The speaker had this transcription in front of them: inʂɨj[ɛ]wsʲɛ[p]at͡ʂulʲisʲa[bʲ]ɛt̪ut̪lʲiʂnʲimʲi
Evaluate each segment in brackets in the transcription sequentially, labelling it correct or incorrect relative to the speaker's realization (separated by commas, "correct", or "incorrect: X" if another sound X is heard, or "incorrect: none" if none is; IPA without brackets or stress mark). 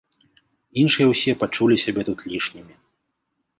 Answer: correct, correct, correct